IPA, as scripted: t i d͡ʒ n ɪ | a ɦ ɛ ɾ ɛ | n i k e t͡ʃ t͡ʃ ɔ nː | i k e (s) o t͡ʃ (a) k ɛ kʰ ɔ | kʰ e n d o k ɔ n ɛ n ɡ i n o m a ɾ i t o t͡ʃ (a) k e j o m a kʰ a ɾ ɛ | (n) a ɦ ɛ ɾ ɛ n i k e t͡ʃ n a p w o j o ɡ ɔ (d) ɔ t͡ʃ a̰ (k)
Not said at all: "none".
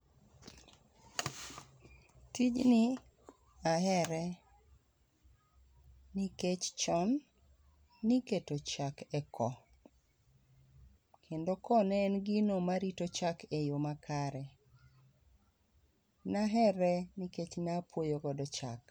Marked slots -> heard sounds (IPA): t, a, a, n, d, k

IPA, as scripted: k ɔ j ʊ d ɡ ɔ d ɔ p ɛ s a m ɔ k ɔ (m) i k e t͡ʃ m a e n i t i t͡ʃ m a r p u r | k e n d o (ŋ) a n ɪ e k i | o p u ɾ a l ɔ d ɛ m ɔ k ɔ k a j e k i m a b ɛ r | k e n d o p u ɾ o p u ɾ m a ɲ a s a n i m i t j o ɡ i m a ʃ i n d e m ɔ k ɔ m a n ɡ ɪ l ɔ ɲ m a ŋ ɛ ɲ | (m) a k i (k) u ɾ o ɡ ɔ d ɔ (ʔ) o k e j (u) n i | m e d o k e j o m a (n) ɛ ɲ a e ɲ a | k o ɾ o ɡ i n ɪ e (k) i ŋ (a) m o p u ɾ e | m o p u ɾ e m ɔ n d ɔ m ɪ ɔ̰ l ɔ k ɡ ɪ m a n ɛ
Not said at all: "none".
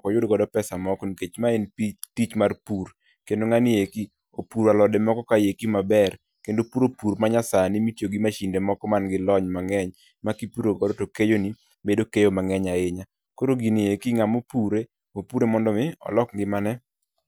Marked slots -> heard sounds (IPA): n, ŋ, m, p, t, o, ŋ, k, a

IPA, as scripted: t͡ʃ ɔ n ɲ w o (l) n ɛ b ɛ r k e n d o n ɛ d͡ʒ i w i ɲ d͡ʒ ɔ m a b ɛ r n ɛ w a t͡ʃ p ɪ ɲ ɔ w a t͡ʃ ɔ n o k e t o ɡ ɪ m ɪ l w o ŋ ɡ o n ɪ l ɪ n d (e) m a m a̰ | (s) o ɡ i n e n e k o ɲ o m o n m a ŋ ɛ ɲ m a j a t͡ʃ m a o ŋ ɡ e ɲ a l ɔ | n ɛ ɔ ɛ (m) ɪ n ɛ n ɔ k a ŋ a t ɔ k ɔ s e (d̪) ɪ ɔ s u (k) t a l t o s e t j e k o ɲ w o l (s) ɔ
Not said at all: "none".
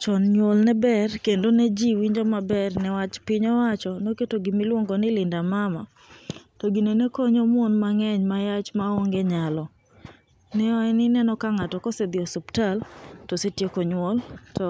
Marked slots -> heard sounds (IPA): l, a, t, n, d̪, p, t

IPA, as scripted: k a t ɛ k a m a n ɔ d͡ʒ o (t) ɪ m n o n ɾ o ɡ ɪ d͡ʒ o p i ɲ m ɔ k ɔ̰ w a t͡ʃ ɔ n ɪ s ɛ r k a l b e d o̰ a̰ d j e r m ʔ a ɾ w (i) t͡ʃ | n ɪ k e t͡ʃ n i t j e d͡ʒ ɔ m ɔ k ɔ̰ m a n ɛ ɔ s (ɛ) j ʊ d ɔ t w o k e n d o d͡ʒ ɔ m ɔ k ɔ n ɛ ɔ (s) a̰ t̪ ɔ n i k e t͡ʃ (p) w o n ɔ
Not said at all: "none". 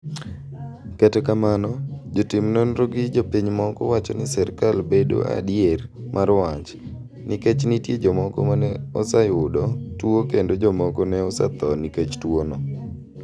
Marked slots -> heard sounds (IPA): t, a, a, s, t

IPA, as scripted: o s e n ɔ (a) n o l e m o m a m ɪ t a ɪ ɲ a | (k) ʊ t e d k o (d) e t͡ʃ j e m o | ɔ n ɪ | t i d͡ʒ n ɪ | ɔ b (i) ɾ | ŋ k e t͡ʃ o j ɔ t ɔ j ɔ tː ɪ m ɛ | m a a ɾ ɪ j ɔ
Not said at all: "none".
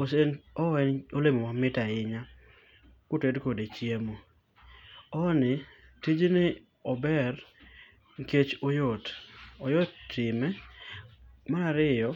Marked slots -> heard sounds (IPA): ɛ, k, d, ɛ

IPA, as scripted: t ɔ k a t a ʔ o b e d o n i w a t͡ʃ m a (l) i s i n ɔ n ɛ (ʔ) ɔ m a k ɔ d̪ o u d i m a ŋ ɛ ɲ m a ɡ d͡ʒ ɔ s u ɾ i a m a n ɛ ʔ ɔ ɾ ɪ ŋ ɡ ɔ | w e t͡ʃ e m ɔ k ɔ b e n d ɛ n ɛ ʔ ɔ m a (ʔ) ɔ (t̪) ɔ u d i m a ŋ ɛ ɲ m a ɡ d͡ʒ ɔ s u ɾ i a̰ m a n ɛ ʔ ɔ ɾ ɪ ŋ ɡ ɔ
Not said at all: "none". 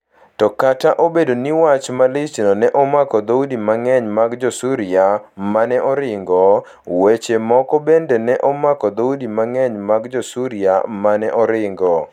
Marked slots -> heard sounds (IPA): l, ʔ, k, d̪

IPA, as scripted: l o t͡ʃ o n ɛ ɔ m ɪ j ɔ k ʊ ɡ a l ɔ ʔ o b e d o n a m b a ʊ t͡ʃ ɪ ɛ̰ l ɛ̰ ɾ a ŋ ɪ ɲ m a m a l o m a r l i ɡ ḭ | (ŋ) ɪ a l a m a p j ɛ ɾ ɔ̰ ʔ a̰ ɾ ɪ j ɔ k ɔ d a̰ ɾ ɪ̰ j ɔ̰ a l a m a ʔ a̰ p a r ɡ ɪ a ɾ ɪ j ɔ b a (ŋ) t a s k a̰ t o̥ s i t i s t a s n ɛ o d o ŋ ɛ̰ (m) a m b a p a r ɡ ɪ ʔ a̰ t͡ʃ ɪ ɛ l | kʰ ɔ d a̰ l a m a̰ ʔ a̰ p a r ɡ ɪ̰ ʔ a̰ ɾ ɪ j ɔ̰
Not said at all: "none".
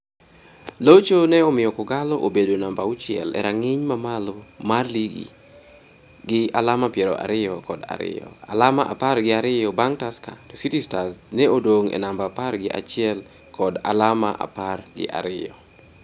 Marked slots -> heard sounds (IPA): ɡ, ŋ, n

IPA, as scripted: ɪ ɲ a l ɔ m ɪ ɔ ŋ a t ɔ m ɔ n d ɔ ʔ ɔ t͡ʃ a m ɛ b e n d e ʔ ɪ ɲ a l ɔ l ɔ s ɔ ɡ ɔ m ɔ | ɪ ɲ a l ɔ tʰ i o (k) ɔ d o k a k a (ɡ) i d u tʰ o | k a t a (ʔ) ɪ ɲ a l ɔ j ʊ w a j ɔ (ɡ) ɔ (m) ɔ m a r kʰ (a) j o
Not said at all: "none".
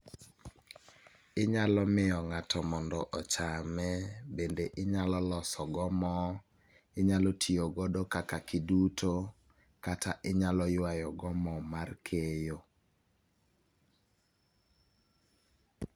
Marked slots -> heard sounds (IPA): ɡ, k, ʔ, ɡ, m, e

